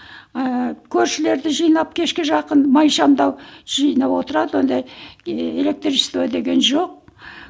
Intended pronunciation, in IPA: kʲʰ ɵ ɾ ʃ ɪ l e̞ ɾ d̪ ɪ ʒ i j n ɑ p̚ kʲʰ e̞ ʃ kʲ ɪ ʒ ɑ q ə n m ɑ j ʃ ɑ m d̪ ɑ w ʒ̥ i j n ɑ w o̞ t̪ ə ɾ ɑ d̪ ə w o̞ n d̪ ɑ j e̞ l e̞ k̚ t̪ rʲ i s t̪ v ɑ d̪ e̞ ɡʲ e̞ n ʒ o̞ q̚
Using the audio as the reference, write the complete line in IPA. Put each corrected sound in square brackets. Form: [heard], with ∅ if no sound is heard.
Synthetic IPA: kʲʰ ɵ ɾ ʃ ɪ l e̞ ɾ d̪ ɪ ʒ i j n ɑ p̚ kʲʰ e̞ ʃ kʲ ɪ ʒ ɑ q ə n m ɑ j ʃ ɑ m d̪ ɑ w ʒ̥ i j n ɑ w o̞ t̪ ə ɾ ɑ d̪ ə w o̞ n d̪ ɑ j e̞ l e̞ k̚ t̪ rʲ i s t̪ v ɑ d̪ e̞ ɡʲ e̞ n ʒ o̞ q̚

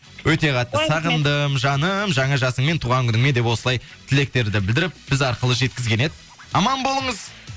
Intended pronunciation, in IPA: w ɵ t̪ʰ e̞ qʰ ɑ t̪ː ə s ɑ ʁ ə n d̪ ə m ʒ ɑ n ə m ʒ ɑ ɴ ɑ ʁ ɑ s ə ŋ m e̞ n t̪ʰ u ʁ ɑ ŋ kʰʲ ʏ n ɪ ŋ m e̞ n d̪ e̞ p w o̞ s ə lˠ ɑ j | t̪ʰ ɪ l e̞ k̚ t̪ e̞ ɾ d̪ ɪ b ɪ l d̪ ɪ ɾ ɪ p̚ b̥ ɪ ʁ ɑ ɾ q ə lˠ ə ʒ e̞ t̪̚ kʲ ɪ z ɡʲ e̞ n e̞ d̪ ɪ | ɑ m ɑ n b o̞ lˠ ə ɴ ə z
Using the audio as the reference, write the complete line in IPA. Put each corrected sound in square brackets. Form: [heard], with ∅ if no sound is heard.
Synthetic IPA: w ɵ [t̪] e̞ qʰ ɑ t̪ː ə s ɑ ʁ ə n d̪ ə m ʒ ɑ n ə m ʒ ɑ ɴ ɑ [ʒ] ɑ s ə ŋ m e̞ n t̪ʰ u ʁ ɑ ŋ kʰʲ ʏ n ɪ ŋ m e̞ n d̪ e̞ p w o̞ s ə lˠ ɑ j | t̪ʰ ɪ l e̞ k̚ t̪ e̞ ɾ d̪ ɪ b ɪ l d̪ ɪ ɾ ɪ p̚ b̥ ɪ [z] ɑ ɾ q ə lˠ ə ʒ e̞ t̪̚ kʲ ɪ z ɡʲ e̞ n e̞ d̪ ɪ | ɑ m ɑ n b o̞ lˠ ə ɴ ə z

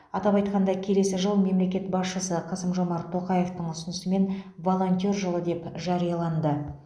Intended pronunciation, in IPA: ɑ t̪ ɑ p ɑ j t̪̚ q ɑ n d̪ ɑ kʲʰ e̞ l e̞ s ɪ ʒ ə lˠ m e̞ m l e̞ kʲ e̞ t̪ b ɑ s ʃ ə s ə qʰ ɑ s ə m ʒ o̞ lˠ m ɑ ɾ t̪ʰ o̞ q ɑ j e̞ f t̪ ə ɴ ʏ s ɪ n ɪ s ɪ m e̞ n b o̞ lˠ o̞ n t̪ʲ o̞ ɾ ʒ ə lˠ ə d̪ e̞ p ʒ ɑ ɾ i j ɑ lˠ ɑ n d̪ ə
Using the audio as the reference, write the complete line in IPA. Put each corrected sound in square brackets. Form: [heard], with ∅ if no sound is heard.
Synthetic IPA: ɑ t̪ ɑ p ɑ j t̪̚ q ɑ n d̪ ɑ kʲʰ e̞ l e̞ s ɪ ʒ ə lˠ m e̞ m l e̞ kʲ e̞ t̪ b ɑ s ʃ ə s ə qʰ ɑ s ə m ʒ o̞ [∅] m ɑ ɾ t̪ʰ o̞ q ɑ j e̞ f t̪ ə ɴ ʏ s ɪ n ɪ s ɪ m e̞ n [v] o̞ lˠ o̞ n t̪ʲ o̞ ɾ ʒ ə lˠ ə d̪ e̞ p ʒ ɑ ɾ i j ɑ lˠ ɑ n d̪ ə

